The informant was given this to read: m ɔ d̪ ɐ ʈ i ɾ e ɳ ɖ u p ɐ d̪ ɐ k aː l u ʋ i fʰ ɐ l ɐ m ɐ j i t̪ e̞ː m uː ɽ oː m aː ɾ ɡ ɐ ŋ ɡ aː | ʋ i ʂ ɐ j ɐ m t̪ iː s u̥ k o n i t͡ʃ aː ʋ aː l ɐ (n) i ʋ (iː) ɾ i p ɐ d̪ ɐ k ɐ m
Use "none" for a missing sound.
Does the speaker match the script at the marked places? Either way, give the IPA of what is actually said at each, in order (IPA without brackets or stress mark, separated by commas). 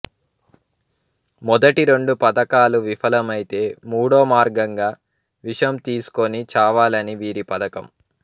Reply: n, iː